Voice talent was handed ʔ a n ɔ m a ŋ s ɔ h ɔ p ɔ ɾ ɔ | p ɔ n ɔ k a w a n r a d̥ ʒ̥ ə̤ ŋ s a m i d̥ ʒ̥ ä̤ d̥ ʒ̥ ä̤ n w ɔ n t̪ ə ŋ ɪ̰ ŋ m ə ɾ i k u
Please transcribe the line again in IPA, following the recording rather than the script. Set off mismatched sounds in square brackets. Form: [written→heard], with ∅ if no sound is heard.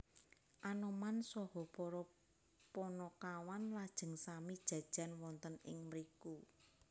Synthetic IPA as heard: ʔ a n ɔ m a [ŋ→n] s ɔ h ɔ p ɔ ɾ ɔ | p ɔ n ɔ k a w a n [r→l] a d̥ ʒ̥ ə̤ ŋ s a m i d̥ ʒ̥ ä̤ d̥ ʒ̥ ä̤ n w ɔ n t̪ ə [ŋ→n] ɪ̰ ŋ m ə ɾ i k u